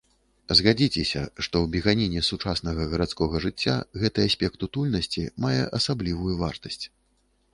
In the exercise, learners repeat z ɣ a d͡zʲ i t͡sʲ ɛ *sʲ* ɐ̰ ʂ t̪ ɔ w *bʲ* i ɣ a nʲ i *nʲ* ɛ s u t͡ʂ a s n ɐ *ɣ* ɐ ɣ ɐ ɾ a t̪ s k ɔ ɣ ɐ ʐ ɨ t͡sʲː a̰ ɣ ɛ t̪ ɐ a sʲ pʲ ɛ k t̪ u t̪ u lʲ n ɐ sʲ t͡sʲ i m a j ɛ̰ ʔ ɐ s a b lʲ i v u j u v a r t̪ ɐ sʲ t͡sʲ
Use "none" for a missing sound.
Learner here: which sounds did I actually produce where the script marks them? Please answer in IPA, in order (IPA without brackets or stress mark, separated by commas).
sʲ, bʲ, nʲ, ɣ